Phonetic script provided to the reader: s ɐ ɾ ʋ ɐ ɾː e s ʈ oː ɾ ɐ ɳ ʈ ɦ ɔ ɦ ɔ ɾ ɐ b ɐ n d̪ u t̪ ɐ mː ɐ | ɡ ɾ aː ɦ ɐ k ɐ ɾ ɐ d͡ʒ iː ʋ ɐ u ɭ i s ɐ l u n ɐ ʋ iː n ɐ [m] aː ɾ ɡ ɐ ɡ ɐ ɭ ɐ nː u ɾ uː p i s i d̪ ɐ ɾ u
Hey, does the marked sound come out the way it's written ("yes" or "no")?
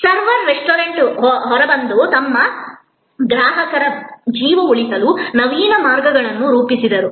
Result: yes